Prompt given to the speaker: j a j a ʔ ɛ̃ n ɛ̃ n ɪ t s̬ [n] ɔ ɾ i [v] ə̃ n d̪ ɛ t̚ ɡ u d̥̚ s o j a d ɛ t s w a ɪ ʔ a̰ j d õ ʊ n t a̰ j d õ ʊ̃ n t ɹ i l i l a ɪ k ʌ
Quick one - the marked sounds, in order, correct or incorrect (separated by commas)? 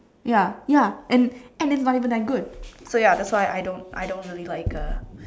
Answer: correct, correct